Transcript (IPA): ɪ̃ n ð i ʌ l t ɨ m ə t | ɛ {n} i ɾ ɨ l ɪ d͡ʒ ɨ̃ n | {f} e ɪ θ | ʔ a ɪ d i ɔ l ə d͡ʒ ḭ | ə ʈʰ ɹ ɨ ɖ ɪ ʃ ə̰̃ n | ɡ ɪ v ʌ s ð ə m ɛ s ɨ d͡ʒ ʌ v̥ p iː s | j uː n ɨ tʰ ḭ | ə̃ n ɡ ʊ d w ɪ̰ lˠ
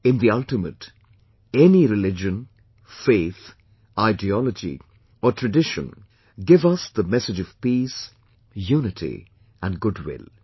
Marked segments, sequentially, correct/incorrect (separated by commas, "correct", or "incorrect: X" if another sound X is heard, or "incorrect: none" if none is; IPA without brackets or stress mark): correct, correct